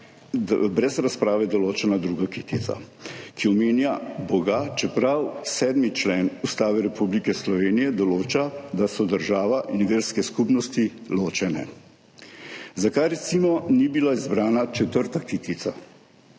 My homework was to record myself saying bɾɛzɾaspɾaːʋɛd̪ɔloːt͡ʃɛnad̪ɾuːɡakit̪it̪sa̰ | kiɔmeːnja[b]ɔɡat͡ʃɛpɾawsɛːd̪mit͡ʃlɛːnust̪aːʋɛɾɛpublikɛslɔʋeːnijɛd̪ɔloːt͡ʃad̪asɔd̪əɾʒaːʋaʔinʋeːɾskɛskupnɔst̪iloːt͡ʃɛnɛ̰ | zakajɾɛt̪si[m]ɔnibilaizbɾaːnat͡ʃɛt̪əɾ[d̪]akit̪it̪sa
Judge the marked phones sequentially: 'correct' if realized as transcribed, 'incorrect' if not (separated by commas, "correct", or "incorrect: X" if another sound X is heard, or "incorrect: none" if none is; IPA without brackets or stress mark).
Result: correct, correct, incorrect: t̪